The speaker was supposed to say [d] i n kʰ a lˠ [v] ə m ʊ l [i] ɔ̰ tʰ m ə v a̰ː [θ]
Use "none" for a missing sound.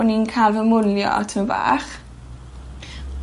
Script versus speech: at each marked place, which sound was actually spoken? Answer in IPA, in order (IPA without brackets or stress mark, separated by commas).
n, v, j, χ